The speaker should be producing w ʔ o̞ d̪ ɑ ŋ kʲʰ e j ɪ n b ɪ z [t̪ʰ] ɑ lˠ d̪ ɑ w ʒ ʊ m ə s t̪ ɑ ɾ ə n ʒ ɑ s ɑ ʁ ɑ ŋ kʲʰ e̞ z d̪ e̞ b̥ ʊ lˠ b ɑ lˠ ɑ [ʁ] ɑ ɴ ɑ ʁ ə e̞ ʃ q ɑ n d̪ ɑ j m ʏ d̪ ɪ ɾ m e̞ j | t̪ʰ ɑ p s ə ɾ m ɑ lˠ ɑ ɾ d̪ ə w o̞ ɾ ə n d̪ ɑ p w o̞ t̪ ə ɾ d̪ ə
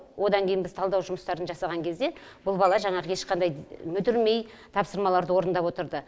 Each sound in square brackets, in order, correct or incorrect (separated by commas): correct, incorrect